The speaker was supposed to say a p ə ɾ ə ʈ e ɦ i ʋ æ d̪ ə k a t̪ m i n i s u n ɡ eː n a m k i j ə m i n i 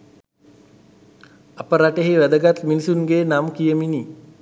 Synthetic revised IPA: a p ə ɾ a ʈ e ɦ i ʋ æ d̪ ə ɡ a t̪ m i n i s u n ɡ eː n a m k i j ə m i n i